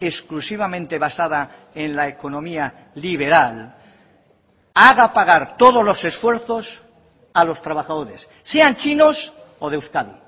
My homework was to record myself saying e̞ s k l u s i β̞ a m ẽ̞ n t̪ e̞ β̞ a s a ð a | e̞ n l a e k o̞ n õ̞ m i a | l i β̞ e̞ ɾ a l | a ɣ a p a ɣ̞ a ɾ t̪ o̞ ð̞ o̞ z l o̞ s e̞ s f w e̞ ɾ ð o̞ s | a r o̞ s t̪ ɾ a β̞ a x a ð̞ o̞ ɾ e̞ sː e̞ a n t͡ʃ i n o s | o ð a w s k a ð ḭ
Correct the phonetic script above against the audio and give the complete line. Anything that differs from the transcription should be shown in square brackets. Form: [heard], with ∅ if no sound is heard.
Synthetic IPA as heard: e̞ s k l u s i β̞ a m ẽ̞ n t̪ e̞ β̞ a s a ð a | e̞ n l a e k o̞ n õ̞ m i a | l i β̞ e̞ ɾ a l | a ɣ a p a ɣ̞ a ɾ t̪ o̞ ð̞ o̞ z l o̞ s e̞ s f w e̞ ɾ [θ] o̞ s | a [l] o̞ s t̪ ɾ a β̞ a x a ð̞ o̞ ɾ e̞ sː e̞ a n t͡ʃ i n o s | o ð [e] w s k a ð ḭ